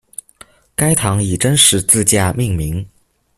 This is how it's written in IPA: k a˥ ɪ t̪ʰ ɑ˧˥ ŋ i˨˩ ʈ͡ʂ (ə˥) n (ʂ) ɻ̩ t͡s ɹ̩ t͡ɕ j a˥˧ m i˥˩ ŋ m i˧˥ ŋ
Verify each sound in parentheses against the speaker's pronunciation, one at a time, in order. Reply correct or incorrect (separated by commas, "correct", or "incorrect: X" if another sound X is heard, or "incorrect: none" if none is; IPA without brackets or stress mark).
correct, correct